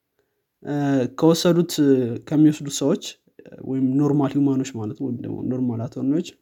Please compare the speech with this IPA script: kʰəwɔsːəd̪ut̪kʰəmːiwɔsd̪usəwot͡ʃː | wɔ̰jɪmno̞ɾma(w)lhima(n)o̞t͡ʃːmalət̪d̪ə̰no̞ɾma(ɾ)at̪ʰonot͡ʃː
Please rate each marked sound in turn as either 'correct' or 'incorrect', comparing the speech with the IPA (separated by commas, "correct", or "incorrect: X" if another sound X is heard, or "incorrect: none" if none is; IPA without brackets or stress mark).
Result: incorrect: none, correct, incorrect: l